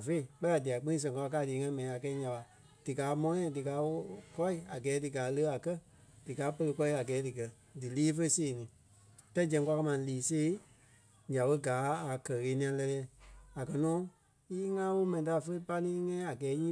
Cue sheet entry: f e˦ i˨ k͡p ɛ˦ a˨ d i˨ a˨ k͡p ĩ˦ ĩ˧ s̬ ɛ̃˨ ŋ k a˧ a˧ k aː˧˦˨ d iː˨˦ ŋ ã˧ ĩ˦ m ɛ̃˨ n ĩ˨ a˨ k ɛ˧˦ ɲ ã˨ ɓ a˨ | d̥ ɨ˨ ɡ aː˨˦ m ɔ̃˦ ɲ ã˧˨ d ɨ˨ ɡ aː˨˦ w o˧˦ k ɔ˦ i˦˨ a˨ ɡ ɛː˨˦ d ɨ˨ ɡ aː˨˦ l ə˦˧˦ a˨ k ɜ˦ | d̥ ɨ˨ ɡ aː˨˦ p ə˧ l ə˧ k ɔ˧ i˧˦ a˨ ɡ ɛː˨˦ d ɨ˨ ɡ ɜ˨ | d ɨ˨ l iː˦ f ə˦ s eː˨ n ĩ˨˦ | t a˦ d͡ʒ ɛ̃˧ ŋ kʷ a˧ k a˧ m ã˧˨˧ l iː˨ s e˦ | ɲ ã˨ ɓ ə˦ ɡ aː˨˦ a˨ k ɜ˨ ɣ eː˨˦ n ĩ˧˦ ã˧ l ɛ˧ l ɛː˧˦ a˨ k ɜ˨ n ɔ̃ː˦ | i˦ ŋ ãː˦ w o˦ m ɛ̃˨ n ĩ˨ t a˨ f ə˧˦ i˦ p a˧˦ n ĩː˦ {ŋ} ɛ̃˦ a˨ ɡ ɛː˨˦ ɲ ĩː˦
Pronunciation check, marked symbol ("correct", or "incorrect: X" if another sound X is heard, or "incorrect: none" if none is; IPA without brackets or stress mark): correct